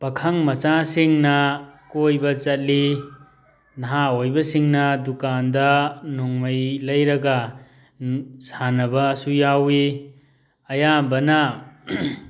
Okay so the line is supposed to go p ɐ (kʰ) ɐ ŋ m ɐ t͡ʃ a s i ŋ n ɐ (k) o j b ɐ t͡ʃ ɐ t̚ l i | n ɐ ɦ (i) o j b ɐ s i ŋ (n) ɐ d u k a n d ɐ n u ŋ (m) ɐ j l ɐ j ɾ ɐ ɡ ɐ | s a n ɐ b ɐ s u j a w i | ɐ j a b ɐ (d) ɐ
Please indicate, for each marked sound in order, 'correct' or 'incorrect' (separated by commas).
correct, correct, incorrect, correct, correct, incorrect